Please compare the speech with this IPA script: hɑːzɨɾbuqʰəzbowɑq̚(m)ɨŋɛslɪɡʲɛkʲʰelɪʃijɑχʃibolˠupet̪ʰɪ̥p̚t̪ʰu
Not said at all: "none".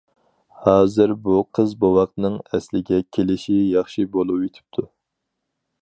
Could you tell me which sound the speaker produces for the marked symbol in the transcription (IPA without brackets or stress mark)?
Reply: n